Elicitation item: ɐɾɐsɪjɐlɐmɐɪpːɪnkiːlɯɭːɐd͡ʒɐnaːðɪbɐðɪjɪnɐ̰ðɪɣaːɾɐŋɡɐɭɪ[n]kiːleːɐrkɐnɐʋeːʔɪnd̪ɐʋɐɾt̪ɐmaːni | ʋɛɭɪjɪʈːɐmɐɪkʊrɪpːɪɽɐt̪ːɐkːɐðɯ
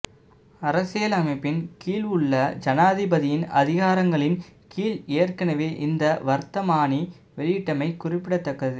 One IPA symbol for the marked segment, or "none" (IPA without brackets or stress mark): n